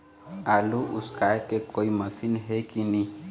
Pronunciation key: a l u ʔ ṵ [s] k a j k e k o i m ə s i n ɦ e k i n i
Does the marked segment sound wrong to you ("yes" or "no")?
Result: no